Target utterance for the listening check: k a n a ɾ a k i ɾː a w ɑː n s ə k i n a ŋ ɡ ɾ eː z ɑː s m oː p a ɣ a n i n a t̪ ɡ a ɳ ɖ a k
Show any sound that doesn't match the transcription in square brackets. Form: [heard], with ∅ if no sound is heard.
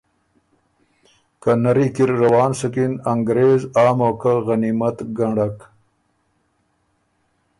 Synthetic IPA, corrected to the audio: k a n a ɾ [i] k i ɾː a w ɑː n s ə k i n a ŋ ɡ ɾ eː z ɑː [∅] m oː [k] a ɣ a n i [m] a t̪ ɡ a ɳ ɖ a k